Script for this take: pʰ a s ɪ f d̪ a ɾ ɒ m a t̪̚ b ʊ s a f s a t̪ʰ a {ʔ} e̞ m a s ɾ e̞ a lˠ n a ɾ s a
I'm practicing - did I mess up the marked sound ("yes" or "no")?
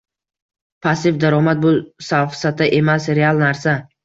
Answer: no